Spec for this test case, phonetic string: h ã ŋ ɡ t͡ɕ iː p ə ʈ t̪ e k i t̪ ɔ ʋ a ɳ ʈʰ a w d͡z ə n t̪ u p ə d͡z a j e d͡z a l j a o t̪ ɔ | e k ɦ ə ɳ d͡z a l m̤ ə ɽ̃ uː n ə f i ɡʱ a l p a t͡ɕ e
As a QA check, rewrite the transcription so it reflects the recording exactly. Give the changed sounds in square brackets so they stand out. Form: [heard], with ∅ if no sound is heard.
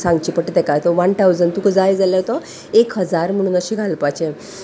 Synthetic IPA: [s] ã ŋ ɡ t͡ɕ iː p ə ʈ t̪ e k [a] t̪ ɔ ʋ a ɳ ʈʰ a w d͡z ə n t̪ u [k] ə d͡z a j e d͡z a l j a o t̪ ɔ | e k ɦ ə [∅] d͡z a [ɾ] m̤ ə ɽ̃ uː n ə [ɕ] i ɡʱ a l p a t͡ɕ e